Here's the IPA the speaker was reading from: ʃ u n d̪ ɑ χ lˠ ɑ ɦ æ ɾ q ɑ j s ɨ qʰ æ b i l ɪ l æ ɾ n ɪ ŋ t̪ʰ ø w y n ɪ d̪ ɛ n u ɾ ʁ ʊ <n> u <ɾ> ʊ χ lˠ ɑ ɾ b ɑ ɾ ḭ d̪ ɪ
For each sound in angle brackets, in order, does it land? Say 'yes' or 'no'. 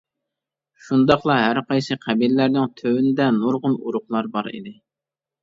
yes, yes

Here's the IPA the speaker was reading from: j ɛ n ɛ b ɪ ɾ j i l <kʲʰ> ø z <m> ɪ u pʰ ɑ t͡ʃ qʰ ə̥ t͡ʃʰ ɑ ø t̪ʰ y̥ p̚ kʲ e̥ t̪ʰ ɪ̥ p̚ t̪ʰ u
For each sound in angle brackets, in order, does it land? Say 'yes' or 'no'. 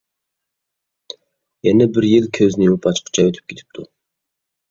yes, no

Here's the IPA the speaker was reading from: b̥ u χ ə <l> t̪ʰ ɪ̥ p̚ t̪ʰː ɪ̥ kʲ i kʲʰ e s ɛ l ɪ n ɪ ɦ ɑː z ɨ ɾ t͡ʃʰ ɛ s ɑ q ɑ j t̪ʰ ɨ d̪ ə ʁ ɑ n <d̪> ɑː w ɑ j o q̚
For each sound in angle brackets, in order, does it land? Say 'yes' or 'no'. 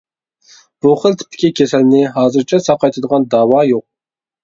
yes, yes

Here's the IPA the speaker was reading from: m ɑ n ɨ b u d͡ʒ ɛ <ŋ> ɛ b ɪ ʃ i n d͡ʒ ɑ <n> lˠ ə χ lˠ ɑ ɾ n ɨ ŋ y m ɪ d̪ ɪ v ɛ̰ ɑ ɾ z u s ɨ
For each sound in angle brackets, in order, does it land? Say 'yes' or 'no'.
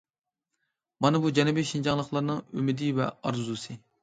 no, no

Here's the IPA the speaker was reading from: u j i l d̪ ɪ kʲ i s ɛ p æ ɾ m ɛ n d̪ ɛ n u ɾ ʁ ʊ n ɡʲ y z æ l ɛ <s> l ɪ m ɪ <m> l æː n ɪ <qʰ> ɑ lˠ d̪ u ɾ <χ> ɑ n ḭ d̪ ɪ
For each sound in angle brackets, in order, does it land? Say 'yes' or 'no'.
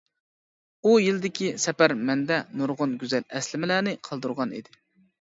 yes, no, yes, no

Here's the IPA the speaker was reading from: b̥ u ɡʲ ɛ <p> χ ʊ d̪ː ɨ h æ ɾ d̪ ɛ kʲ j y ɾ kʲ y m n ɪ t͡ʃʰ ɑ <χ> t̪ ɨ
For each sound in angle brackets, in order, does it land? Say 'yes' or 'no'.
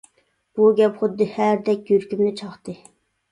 yes, yes

